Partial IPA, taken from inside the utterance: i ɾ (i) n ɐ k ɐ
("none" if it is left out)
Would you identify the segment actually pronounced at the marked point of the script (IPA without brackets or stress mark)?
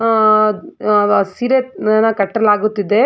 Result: e